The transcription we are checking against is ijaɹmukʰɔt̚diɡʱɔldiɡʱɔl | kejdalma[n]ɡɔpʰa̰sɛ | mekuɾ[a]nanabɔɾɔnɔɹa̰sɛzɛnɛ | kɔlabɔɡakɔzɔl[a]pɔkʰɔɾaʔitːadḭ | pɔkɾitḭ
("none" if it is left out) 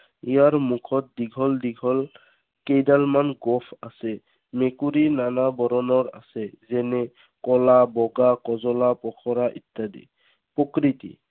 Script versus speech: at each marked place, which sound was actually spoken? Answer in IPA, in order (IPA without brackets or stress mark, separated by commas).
n, i, a